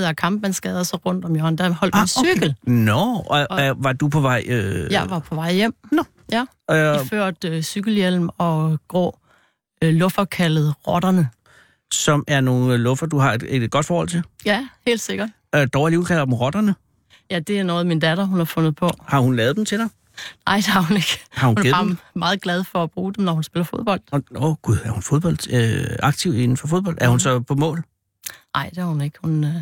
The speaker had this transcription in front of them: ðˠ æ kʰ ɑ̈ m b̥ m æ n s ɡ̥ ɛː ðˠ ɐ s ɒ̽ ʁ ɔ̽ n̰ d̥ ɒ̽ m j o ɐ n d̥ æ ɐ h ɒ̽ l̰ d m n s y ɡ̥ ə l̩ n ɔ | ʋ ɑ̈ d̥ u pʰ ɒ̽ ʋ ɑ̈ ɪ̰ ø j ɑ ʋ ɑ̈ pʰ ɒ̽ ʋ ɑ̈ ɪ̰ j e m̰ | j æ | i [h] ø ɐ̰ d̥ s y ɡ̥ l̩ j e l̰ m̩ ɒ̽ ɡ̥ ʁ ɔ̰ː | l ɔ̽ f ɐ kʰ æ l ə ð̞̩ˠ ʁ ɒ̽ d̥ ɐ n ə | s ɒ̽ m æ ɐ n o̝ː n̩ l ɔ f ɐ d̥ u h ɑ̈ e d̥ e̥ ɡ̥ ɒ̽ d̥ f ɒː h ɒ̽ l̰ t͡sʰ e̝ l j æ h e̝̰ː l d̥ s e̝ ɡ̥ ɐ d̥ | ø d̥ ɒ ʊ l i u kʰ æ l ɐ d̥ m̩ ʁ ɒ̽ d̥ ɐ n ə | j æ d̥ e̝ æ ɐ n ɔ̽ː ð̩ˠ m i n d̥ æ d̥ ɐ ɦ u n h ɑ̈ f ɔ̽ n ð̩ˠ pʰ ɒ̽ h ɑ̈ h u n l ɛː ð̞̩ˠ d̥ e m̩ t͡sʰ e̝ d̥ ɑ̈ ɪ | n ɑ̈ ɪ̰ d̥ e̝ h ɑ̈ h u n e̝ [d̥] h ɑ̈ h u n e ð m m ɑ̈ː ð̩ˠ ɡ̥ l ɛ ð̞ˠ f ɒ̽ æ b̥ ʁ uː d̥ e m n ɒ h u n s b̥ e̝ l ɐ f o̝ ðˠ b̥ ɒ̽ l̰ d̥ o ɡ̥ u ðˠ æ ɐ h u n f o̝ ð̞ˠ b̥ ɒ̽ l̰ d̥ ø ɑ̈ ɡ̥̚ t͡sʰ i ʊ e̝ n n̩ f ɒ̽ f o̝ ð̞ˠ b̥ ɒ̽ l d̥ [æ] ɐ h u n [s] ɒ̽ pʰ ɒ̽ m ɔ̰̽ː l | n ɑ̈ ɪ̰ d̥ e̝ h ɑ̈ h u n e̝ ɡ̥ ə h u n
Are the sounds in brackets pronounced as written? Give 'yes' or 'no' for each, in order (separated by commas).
no, no, yes, yes